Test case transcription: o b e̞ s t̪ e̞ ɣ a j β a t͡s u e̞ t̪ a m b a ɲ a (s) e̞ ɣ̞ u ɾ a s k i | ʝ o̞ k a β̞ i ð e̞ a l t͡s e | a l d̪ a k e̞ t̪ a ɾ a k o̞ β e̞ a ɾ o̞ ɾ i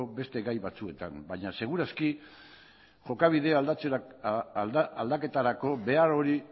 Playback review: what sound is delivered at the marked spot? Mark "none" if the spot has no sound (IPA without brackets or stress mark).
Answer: s